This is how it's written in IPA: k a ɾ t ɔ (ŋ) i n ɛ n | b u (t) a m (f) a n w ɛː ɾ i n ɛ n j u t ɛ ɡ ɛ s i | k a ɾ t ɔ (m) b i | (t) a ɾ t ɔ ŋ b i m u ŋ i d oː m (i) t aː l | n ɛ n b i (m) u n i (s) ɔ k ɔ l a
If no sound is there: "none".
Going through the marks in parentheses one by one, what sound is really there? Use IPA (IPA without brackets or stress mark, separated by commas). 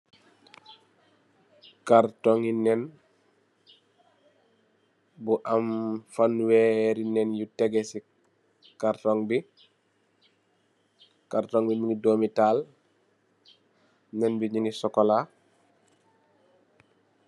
ŋ, ʔ, f, ŋ, k, i, ɲ, s